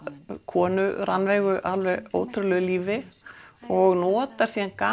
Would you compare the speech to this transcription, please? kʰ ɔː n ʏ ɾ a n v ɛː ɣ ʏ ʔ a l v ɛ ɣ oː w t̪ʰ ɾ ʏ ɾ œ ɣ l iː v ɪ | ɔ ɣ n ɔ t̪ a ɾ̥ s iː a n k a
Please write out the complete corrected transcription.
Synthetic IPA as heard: kʰ ɔː n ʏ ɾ a n v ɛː ɣ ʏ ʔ a l v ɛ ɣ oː w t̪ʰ ɾ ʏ l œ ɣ l iː v ɪ | ɔ ɣ n ɔː t̪ a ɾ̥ s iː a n k a